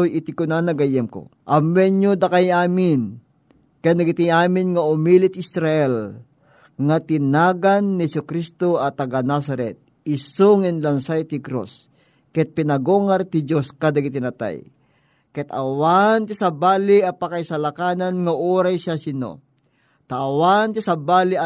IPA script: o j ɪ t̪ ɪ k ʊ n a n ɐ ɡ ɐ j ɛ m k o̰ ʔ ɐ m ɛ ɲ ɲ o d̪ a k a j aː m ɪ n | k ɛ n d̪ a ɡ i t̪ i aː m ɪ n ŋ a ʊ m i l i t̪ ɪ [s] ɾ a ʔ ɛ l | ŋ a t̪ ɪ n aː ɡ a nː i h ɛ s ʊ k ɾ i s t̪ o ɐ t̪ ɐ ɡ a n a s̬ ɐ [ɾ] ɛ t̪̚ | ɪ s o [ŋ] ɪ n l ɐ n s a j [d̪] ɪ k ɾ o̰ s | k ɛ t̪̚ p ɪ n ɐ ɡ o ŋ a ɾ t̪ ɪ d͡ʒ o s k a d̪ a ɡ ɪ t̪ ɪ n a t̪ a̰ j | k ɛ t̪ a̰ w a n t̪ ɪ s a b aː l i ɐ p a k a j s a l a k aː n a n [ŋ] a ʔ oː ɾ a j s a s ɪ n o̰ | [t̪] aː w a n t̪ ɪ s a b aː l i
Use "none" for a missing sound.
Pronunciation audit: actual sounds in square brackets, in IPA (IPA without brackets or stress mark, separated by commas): s, ɾ, ŋ, t̪, ŋ, t̪